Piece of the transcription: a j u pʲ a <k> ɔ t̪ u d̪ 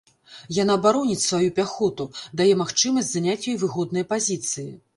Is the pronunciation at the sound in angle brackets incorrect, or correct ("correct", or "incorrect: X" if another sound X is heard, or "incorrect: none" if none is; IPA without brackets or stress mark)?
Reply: incorrect: x